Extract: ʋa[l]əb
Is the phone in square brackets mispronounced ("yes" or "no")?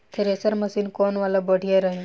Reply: no